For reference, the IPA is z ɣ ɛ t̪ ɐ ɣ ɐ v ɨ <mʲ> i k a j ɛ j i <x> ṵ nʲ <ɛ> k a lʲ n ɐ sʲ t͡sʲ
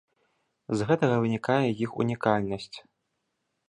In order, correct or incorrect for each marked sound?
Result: incorrect: nʲ, correct, incorrect: i

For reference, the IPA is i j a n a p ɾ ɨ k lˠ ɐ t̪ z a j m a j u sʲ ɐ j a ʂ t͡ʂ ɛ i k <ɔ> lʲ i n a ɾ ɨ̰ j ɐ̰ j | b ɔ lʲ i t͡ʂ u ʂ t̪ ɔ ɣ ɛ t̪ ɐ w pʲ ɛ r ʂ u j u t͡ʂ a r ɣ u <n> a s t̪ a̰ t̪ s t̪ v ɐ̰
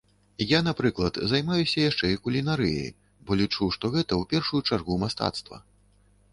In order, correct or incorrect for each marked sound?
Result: incorrect: u, incorrect: m

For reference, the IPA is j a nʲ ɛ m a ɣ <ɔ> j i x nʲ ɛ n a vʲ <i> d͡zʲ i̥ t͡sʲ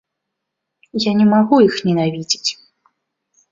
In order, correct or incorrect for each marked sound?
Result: incorrect: u, correct

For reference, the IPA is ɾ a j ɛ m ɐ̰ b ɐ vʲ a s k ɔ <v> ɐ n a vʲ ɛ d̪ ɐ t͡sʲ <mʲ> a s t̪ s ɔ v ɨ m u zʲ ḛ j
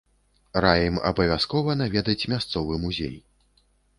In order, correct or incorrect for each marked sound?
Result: correct, correct

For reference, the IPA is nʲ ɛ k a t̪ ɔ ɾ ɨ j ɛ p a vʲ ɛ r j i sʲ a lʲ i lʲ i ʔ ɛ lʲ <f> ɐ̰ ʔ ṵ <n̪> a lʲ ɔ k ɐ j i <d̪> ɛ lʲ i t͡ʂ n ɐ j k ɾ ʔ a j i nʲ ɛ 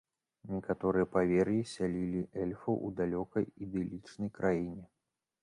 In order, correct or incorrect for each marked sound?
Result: correct, incorrect: d̪, correct

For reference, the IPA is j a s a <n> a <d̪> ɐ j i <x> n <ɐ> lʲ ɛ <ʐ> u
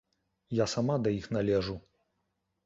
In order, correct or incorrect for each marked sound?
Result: incorrect: m, correct, correct, incorrect: a, correct

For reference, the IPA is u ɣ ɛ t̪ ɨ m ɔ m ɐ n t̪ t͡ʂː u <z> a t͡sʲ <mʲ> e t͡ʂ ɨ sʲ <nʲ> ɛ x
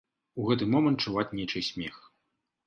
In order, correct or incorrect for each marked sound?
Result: incorrect: v, incorrect: nʲ, incorrect: mʲ

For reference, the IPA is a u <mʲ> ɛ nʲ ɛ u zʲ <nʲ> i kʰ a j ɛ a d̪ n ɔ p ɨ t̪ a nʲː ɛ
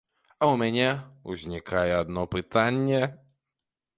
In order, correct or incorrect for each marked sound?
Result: correct, correct

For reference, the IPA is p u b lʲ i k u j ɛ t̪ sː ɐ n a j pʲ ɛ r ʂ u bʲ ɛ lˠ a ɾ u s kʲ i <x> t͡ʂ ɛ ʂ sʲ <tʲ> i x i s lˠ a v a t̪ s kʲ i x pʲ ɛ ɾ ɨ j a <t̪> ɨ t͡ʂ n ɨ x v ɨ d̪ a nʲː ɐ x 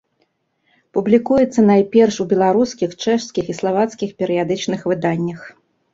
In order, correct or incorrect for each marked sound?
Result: correct, incorrect: kʲ, incorrect: d̪

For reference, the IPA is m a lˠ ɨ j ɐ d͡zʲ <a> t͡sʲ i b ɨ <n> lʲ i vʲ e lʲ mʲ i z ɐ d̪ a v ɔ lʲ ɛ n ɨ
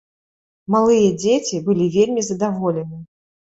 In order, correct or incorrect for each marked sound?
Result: incorrect: e, incorrect: none

